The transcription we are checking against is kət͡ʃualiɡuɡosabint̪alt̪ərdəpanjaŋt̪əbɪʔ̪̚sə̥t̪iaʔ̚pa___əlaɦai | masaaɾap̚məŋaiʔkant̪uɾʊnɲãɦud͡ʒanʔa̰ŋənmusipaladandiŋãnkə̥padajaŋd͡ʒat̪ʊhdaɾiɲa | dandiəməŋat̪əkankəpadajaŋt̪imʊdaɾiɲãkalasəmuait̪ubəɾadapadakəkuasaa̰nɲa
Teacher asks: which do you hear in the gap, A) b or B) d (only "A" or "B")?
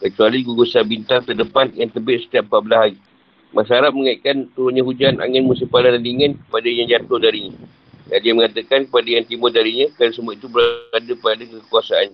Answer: A